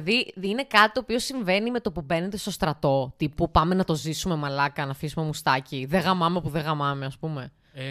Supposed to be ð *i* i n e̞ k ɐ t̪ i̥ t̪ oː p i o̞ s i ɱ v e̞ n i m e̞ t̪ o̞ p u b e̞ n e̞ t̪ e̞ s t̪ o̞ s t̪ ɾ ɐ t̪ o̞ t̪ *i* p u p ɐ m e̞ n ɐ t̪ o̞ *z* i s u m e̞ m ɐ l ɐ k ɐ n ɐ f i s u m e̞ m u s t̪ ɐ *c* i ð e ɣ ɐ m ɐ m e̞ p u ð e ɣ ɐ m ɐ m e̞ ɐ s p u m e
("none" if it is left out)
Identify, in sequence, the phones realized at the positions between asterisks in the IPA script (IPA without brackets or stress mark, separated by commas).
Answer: i, i, z, c